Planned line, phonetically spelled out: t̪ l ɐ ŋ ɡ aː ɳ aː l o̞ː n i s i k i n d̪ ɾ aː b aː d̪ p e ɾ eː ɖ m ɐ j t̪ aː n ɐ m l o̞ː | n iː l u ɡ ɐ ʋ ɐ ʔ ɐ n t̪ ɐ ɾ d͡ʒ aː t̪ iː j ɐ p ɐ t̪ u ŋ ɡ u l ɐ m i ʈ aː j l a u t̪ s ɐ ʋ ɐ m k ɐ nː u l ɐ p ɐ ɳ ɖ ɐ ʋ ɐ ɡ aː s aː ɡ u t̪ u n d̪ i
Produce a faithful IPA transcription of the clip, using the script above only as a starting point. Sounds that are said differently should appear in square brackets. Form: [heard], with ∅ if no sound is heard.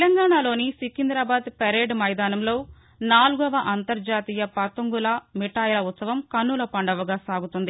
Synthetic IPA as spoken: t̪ l ɐ ŋ ɡ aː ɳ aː l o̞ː n i s i k i n d̪ ɾ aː b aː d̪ p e ɾ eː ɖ m ɐ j [d̪] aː n ɐ m l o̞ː | n [aː] l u ɡ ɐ ʋ ɐ ʔ ɐ n t̪ ɐ ɾ d͡ʒ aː t̪ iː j ɐ p ɐ t̪ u ŋ ɡ u l ɐ m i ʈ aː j l [ɐ] u t̪ s ɐ ʋ ɐ m k ɐ nː u l ɐ p ɐ ɳ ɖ ɐ ʋ ɐ ɡ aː s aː ɡ u t̪ u n d̪ i